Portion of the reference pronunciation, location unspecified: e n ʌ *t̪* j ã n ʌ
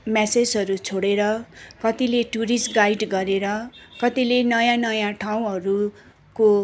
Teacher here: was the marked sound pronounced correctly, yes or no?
no